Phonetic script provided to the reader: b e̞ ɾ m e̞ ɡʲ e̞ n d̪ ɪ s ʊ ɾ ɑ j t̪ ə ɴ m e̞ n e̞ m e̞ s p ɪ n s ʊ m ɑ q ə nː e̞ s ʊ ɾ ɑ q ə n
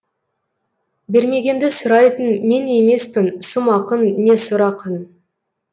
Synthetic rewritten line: b e̞ ɾ m e̞ ɡʲ e̞ n d̪ ɪ s ʊ ɾ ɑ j t̪ ə n m e̞ n e̞ m e̞ s p ɪ n s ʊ m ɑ q ə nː e̞ s ʊ ɾ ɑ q ə n